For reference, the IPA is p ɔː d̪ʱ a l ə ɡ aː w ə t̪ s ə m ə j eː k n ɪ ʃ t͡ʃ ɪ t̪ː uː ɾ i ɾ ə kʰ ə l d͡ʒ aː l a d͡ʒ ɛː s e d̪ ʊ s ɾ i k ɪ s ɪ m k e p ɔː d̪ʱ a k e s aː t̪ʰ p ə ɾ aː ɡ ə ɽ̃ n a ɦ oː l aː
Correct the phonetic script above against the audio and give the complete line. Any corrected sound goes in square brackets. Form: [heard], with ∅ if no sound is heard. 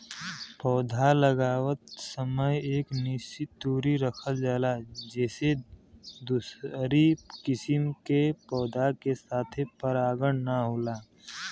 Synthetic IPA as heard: p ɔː d̪ʱ a l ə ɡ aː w ə t̪ s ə m ə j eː k n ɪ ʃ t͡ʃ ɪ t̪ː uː ɾ i ɾ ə kʰ ə l d͡ʒ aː l a d͡ʒ ɛː s e d̪ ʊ s ɾ i k ɪ s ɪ m k e p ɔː d̪ʱ a k e s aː t̪ʰ p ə ɾ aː ɡ ə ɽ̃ n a ɦ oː l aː

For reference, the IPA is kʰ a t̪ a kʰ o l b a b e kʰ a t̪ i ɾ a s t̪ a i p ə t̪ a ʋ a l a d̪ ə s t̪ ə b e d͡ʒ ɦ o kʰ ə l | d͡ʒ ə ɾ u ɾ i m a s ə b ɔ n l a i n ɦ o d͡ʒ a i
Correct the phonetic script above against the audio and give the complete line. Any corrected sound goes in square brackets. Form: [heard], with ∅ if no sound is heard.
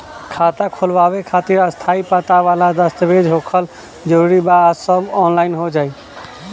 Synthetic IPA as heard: kʰ a t̪ a kʰ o l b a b e kʰ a t̪ i ɾ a s [t̪ʰ] a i p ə t̪ a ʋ a l a d̪ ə s t̪ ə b e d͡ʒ ɦ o kʰ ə l | d͡ʒ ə ɾ u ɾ i [b] a s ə b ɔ n l a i n ɦ o d͡ʒ a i

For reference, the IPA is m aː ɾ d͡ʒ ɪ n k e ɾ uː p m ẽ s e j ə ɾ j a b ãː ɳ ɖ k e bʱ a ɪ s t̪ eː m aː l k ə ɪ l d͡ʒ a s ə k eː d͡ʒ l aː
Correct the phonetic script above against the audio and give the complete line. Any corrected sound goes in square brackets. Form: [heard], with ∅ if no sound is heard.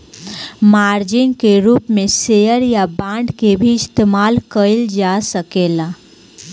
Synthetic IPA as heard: m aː ɾ d͡ʒ ɪ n k e ɾ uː p m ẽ s e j ə ɾ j a b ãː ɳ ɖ k e bʱ [i] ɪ s t̪ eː m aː l k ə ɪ l d͡ʒ a s ə k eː [∅] l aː

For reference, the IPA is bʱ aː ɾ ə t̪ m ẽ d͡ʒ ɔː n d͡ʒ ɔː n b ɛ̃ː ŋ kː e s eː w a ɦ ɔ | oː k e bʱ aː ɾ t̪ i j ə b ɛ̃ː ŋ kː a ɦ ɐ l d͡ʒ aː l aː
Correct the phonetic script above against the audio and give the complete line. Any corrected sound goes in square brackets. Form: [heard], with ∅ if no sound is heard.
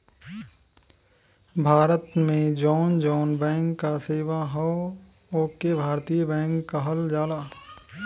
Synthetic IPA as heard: bʱ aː ɾ ə t̪ m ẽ d͡ʒ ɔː n d͡ʒ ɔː n b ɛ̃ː ŋ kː [a] s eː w a ɦ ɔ | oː k e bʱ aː ɾ t̪ i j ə b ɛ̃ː ŋ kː a ɦ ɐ l d͡ʒ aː l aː

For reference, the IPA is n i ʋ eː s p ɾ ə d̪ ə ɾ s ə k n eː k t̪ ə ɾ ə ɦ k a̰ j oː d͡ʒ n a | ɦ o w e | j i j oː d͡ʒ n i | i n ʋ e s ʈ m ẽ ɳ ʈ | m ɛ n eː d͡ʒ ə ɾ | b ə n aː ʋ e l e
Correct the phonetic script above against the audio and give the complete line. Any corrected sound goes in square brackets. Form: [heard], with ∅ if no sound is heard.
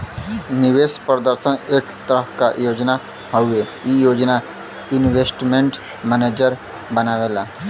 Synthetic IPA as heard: n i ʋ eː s p ɾ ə d̪ ə ɾ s ə [∅] n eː k t̪ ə ɾ ə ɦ k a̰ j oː d͡ʒ n a | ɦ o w e | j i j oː d͡ʒ n [a] | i n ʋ e s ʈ m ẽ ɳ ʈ | m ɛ n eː d͡ʒ ə ɾ | b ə n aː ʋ e l [a]

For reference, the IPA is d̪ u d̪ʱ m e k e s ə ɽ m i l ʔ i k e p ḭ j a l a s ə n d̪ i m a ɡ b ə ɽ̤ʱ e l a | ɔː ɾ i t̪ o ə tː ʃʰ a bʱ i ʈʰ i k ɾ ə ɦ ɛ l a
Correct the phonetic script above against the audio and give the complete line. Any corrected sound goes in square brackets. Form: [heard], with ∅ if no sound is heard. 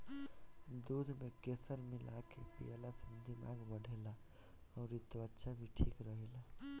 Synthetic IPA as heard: d̪ u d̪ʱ m e k e s ə [ɾ] m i l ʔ [a] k e p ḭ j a l a s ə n d̪ i m a ɡ b ə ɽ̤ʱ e l a | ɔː ɾ i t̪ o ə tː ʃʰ a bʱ i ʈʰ i k ɾ ə ɦ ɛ l a

